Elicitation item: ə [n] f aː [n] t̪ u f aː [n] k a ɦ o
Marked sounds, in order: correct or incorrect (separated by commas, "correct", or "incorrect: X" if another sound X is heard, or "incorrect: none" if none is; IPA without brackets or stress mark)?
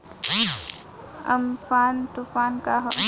incorrect: m, correct, correct